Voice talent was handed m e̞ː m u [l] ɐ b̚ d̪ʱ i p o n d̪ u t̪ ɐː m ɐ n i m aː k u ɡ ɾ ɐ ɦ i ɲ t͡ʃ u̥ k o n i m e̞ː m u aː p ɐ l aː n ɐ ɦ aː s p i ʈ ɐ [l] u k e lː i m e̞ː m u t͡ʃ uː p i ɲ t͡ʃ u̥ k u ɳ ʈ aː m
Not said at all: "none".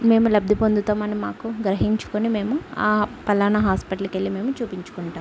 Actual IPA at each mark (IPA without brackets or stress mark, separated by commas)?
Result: l, l